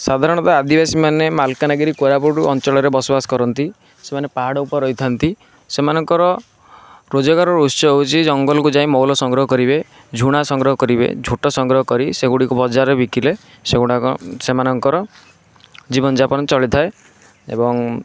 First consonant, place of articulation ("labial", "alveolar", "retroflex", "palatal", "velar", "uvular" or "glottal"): alveolar